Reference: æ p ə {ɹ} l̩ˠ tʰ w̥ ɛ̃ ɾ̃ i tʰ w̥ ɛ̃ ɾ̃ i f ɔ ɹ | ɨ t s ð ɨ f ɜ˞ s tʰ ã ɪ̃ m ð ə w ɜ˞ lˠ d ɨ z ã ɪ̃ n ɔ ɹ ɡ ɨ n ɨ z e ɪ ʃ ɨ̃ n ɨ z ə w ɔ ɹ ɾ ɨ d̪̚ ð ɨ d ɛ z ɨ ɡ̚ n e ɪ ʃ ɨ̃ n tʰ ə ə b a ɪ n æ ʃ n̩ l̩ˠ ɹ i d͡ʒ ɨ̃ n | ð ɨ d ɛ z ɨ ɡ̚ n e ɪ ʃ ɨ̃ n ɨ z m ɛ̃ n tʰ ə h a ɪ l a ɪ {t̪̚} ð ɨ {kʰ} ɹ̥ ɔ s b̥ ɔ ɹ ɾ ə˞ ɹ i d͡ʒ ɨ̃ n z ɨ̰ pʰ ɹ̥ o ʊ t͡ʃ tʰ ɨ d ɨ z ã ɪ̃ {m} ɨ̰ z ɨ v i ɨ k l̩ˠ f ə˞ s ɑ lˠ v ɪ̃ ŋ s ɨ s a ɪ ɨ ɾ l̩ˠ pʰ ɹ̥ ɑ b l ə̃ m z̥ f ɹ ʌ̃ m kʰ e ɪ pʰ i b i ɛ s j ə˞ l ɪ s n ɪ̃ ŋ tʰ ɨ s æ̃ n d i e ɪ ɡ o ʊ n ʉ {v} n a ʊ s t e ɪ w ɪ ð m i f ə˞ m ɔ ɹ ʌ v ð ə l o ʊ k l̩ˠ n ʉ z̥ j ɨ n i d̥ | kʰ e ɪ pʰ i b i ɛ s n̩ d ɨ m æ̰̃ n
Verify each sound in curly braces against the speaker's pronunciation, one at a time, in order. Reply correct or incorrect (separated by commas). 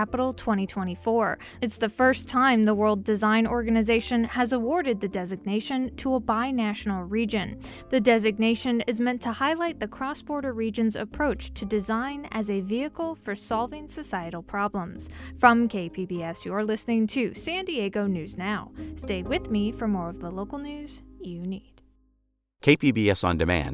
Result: incorrect, correct, correct, incorrect, incorrect